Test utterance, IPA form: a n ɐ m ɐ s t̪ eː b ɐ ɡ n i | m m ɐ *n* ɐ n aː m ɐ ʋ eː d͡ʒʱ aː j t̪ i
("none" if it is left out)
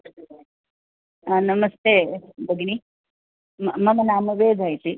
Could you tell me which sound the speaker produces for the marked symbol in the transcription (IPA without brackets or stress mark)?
m